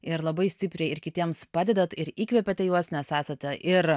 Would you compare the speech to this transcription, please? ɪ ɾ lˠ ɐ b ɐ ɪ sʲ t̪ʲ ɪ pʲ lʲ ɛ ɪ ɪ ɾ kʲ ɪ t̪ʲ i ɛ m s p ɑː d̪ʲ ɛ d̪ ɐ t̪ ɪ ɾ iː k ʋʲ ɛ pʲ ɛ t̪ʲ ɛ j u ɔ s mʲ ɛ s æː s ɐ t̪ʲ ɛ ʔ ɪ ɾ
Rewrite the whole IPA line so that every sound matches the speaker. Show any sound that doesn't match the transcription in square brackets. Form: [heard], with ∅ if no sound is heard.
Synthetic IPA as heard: ɪ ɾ lˠ ɐ b ɐ ɪ sʲ t̪ʲ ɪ pʲ [ɾʲ] ɛ ɪ ɪ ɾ kʲ ɪ t̪ʲ i ɛ m s p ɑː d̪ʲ ɛ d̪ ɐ t̪ ɪ ɾ iː k ʋʲ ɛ pʲ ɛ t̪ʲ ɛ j u ɔ s [nʲ] ɛ s æː s ɐ t̪ʲ ɛ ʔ ɪ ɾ